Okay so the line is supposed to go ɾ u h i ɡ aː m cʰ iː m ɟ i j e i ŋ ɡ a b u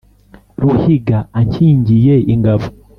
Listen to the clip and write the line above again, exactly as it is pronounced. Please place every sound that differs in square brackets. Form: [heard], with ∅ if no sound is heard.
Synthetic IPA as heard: ɾ u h i ɡ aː [ɲ] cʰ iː [ɲ] ɟ i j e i ŋ ɡ a [v] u